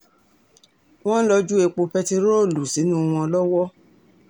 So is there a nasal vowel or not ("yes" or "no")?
yes